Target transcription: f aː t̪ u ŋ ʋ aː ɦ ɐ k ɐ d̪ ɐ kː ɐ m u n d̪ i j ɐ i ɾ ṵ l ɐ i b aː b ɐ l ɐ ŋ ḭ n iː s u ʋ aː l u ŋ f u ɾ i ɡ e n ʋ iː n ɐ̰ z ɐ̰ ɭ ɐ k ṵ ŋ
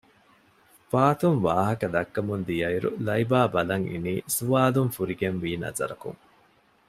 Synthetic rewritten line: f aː t̪ u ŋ ʋ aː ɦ ɐ k ɐ d̪ ɐ kː ɐ m u n d̪ i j ɐ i ɾ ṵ l ɐ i b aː b ɐ l ɐ ŋ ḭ n iː s u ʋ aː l u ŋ f u ɾ i ɡ e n ʋ iː n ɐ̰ z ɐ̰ ɾ ɐ k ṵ ŋ